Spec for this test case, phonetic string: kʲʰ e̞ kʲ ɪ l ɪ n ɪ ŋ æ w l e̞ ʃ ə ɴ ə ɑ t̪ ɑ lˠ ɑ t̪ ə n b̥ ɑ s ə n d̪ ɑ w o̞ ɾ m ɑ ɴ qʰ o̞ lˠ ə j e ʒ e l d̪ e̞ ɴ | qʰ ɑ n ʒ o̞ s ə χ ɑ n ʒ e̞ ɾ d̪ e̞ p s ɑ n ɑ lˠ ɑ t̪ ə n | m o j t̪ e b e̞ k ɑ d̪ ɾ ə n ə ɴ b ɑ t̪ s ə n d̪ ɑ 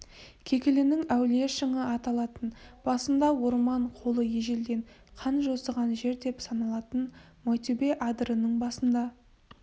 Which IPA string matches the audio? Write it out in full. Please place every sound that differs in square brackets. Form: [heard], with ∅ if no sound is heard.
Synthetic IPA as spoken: kʲʰ e̞ kʲ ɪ l ɪ n ɪ ŋ æ w l e̞ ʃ ə ɴ ə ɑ t̪ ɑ lˠ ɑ t̪ ə n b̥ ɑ s ə n d̪ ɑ w o̞ ɾ m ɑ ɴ qʰ o̞ lˠ ə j e ʒ e l d̪ e̞ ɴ | qʰ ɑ n ʒ o̞ s ə [ʁ] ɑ n ʒ e̞ ɾ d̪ e̞ p s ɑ n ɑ lˠ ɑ t̪ ə n | m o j t̪ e b e̞ [ʔ] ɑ d̪ ɾ ə n ə ɴ b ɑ [∅] s ə n d̪ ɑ